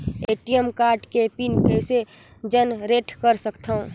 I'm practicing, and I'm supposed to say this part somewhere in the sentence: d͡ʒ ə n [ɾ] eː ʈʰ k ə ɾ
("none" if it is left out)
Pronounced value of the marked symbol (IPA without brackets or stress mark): ɾ